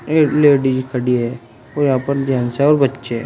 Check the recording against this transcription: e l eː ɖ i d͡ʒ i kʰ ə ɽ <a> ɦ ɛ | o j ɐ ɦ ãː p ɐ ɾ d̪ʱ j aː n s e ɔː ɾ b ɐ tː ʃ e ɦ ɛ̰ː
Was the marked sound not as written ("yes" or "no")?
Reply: yes